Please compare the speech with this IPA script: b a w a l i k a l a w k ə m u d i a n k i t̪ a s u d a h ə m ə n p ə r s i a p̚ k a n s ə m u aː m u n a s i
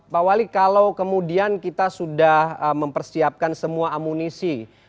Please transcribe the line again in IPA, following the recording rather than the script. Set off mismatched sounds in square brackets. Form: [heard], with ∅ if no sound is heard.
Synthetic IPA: [p] a w a l i k a l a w k ə m u d i a n k i t̪ a s u d a h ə m ə [m] p ə r s i a p̚ k a n s ə m u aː m u n [i] s i